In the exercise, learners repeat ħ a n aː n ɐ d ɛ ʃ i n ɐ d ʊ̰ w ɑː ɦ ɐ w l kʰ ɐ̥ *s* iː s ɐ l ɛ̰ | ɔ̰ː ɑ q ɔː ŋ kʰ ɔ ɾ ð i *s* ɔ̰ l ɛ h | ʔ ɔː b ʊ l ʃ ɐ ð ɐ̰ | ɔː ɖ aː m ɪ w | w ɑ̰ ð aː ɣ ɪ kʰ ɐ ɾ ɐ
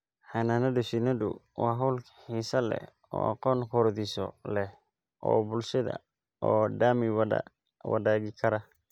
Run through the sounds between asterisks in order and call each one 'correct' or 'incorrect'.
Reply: incorrect, correct

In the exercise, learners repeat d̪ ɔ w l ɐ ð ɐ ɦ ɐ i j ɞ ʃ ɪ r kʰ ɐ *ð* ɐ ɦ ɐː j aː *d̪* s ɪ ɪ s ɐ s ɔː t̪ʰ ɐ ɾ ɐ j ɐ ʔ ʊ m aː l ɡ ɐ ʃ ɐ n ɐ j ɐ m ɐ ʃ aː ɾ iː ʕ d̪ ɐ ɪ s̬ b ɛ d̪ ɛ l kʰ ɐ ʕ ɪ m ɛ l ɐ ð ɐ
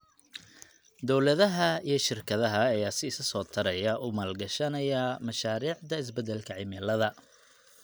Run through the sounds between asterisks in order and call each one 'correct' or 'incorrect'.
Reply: correct, incorrect

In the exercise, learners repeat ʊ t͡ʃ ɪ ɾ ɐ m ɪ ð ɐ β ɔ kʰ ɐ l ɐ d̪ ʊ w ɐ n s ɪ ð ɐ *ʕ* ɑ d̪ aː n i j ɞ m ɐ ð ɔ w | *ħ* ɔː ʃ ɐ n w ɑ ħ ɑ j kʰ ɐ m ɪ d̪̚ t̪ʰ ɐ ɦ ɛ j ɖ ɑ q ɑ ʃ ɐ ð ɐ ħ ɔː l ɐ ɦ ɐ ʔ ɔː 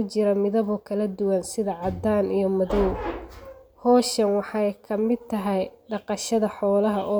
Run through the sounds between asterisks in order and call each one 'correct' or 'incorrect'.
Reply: correct, incorrect

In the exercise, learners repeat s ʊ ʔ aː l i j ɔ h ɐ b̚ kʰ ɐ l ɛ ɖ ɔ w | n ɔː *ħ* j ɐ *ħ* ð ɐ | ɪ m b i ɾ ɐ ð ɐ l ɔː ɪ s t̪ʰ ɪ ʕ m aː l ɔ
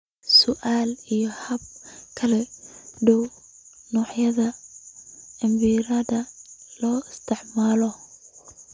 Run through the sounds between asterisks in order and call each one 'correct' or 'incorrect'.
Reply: correct, incorrect

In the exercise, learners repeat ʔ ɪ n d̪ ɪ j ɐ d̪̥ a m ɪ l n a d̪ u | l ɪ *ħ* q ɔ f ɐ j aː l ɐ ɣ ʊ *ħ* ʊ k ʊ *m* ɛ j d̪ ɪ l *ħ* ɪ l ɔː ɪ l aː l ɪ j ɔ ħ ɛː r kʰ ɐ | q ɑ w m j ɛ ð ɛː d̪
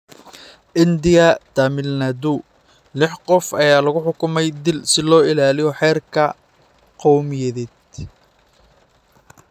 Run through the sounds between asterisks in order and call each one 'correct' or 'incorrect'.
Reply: correct, correct, correct, incorrect

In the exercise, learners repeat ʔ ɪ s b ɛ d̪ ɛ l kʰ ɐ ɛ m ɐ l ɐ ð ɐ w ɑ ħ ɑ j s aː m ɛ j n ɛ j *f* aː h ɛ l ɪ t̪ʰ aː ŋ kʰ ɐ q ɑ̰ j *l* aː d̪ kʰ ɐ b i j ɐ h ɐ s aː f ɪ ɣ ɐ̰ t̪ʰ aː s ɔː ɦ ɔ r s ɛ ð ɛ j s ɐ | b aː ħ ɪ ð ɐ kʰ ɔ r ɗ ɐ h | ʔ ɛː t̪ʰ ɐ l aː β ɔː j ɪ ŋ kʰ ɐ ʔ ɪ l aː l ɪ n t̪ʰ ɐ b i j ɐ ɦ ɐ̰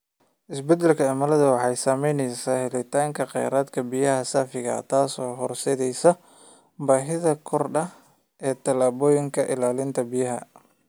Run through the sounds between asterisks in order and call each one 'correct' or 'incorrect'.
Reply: incorrect, incorrect

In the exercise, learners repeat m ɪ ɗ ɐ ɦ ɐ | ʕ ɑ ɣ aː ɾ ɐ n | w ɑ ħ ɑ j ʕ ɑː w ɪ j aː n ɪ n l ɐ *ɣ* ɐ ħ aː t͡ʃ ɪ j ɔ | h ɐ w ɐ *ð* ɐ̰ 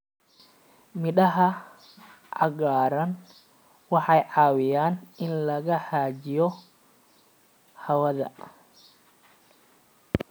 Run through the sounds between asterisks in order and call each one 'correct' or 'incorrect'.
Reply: correct, correct

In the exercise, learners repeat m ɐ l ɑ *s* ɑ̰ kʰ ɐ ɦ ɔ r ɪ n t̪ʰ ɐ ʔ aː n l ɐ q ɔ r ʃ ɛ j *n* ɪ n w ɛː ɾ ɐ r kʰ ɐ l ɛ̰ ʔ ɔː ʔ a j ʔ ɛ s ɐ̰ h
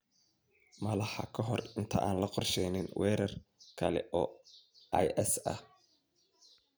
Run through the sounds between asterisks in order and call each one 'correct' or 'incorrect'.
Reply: incorrect, correct

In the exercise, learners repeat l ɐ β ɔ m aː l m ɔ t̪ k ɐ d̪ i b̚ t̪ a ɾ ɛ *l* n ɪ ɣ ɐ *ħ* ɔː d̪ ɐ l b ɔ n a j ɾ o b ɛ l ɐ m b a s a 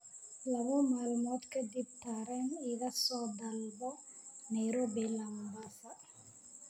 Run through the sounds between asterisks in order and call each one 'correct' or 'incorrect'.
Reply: incorrect, incorrect

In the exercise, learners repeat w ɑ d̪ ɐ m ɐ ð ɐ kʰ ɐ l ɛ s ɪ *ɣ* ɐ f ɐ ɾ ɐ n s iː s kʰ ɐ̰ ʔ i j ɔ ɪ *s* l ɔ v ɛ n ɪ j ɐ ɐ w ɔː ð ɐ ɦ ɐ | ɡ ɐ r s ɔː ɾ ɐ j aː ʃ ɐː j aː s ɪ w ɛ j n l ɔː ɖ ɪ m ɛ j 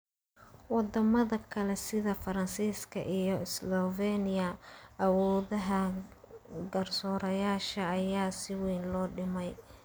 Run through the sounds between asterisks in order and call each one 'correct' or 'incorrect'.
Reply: incorrect, correct

